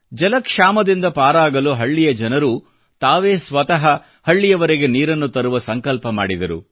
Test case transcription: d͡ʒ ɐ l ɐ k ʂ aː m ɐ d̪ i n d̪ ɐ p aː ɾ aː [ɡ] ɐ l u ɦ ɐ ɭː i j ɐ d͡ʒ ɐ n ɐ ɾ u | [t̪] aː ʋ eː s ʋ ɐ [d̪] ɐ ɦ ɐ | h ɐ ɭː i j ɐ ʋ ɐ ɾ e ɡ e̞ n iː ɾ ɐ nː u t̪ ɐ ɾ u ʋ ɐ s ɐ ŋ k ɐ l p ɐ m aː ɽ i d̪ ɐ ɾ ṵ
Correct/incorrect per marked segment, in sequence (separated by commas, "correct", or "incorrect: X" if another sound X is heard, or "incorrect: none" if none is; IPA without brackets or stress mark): correct, correct, incorrect: t̪